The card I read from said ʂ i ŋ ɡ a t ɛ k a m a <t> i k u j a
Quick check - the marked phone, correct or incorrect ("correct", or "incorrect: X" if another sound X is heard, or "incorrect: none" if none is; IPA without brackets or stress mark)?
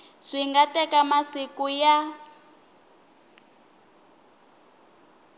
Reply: incorrect: s